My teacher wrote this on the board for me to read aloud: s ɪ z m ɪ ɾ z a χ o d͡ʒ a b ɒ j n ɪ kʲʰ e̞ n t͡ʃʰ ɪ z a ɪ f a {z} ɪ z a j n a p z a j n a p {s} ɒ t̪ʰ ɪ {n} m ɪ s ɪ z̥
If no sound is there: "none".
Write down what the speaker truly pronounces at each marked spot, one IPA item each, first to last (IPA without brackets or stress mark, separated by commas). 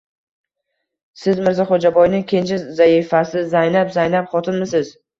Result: s, χ, n